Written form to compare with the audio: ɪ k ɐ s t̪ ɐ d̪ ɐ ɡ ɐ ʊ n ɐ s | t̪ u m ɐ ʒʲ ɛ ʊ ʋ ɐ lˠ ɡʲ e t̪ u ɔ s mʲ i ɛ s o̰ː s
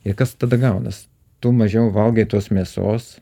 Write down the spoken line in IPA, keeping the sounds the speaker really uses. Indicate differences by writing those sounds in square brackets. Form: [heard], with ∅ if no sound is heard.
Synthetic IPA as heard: ɪ k ɐ s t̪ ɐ d̪ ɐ ɡ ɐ ʊ n ɐ s | t̪ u m ɐ ʒʲ ɛ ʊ ʋ ɐ lˠ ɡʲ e t̪ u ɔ s mʲ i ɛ s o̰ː s